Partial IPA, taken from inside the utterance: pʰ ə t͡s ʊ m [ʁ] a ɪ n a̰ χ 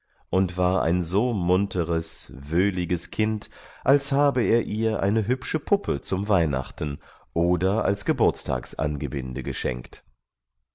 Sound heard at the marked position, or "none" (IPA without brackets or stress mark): v